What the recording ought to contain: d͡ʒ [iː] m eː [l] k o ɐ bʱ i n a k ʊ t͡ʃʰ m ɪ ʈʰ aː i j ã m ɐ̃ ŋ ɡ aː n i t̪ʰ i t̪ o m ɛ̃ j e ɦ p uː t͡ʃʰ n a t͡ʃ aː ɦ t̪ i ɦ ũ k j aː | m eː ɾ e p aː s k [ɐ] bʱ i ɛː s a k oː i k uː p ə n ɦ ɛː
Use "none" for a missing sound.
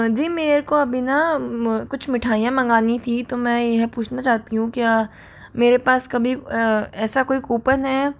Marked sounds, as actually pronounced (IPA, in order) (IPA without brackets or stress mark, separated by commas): iː, ɾ, ɐ